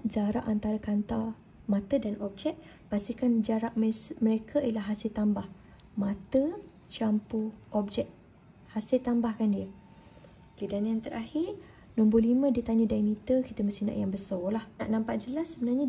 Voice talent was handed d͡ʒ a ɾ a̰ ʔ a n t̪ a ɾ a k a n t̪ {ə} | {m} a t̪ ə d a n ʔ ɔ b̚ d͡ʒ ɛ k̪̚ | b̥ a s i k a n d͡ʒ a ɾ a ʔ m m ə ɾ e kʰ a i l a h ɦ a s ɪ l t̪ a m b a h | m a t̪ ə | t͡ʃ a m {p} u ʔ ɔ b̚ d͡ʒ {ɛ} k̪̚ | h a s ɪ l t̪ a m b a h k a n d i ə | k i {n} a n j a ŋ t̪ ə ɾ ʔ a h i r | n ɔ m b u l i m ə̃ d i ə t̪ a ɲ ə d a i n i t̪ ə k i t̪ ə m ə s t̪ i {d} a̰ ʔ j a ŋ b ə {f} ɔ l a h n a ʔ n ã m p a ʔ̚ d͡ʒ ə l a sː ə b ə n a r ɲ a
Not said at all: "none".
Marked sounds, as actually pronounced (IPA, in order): a, m, p, ɛ, d, n, s

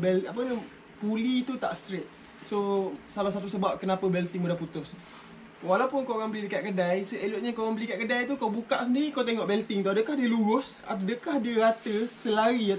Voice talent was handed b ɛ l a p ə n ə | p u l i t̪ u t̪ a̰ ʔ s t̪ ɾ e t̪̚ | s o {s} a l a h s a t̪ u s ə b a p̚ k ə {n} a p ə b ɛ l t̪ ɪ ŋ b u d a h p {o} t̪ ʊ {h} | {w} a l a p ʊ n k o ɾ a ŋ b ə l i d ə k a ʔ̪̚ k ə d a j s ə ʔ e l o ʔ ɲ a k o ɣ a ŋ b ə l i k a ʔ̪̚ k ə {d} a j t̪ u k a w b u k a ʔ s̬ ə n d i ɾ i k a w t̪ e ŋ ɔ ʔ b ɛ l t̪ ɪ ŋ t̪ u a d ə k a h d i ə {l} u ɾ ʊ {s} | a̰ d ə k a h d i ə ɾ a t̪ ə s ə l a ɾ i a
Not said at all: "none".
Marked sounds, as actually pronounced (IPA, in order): s, n, u, s, w, d, l, s

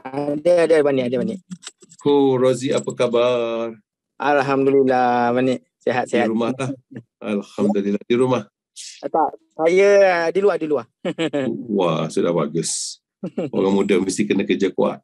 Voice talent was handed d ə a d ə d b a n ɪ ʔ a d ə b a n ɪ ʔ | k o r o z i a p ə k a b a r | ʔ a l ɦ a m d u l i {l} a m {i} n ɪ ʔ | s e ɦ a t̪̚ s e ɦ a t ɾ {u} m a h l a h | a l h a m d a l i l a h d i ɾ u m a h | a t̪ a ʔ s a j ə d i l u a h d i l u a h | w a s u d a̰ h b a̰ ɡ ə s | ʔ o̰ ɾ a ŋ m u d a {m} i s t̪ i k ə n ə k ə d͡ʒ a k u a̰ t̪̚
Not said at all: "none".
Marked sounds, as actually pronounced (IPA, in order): l, a, u, m

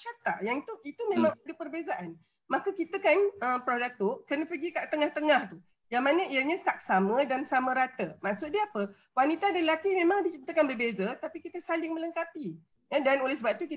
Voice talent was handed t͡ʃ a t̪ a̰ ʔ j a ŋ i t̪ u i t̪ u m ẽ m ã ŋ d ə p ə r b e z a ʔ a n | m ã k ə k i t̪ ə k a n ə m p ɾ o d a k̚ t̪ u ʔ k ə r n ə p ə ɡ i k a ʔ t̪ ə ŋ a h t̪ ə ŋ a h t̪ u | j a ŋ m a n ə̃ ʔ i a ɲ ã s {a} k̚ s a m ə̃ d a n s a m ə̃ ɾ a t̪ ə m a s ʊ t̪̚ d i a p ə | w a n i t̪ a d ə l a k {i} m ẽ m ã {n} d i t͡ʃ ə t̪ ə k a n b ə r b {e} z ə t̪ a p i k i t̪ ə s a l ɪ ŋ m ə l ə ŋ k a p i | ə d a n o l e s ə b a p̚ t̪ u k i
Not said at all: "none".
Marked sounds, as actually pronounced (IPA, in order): a, i, ŋ, e

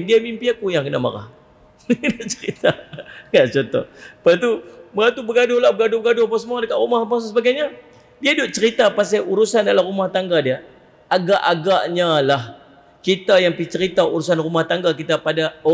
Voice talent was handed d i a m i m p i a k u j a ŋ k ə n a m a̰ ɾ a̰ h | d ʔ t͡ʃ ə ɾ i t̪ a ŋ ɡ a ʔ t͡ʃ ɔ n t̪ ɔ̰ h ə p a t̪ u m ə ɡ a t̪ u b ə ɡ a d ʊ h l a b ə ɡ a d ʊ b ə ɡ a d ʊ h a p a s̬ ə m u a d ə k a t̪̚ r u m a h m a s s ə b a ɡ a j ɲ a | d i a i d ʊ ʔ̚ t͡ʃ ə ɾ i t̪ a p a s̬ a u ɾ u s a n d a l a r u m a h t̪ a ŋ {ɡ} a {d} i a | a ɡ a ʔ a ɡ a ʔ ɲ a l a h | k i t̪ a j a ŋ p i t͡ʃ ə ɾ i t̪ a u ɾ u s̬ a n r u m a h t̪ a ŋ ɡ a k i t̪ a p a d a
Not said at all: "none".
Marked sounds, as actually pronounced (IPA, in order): ɡ, d

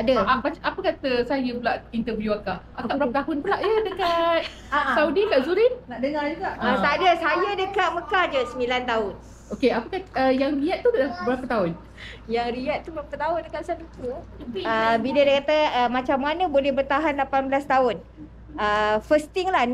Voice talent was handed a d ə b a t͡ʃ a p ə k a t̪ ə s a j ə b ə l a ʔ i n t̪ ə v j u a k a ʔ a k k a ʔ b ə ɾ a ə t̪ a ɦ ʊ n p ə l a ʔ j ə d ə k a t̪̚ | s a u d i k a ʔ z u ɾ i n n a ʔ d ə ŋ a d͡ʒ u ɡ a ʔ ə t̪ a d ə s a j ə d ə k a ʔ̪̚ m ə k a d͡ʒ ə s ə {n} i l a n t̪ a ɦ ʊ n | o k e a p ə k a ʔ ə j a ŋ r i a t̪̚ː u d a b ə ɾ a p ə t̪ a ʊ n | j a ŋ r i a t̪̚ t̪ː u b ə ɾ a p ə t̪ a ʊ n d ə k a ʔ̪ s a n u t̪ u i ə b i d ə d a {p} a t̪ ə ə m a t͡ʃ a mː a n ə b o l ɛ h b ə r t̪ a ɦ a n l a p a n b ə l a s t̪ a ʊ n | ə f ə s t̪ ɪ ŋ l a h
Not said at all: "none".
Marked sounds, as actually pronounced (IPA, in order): m, k

